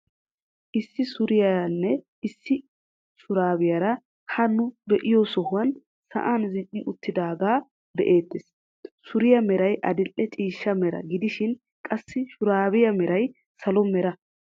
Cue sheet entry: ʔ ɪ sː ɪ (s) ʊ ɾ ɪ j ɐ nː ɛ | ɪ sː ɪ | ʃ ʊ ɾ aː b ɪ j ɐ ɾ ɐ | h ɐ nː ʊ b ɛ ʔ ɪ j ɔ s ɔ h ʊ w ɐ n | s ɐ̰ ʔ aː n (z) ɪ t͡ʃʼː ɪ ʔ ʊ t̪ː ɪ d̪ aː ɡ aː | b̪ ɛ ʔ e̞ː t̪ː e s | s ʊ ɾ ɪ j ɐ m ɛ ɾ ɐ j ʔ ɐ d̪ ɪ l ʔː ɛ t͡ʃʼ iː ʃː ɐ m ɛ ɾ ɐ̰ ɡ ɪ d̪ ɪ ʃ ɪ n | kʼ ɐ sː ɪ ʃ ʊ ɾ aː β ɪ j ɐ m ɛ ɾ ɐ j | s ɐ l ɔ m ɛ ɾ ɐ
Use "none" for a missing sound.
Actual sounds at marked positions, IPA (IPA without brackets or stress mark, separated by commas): s, z